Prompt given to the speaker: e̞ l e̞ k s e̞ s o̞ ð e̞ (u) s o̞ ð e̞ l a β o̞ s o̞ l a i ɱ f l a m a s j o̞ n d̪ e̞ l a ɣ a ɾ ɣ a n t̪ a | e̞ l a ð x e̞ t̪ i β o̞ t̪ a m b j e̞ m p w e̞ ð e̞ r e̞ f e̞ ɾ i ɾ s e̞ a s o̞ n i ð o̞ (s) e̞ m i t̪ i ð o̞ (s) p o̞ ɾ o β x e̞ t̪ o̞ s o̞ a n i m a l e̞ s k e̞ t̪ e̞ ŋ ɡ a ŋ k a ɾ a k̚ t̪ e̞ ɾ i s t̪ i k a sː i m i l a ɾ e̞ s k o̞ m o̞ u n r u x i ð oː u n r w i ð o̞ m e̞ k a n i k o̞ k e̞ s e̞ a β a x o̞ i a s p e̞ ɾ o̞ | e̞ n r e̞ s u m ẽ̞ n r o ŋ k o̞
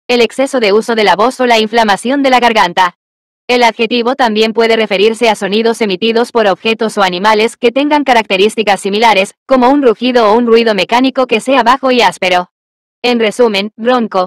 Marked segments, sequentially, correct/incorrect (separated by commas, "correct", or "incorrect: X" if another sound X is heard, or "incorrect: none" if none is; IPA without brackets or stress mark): correct, correct, correct